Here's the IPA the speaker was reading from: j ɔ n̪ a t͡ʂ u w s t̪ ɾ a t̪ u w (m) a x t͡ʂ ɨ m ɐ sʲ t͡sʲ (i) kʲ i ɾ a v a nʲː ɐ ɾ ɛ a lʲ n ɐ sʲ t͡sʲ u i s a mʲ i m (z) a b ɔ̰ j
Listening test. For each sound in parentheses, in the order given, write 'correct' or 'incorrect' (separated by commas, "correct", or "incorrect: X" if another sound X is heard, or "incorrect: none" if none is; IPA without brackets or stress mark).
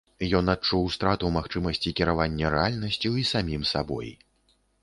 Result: correct, correct, incorrect: s